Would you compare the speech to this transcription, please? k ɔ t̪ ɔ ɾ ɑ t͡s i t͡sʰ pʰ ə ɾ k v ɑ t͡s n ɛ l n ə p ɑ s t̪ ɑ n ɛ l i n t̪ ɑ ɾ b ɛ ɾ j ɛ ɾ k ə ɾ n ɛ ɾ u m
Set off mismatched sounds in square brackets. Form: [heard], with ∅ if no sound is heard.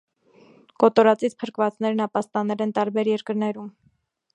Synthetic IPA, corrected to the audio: k ɔ t̪ ɔ ɾ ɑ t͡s i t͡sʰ pʰ ə ɾ k v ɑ t͡s n ɛ [ɾ] n [ɑ] p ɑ s t̪ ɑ n ɛ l [ɛ] n t̪ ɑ ɾ b ɛ ɾ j ɛ ɾ k ə ɾ n ɛ ɾ u m